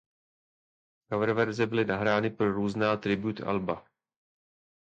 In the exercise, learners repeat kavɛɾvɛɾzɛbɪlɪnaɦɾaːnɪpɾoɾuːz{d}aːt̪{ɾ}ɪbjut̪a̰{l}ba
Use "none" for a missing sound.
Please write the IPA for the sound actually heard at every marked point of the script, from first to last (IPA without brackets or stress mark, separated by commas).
n, ɾ, l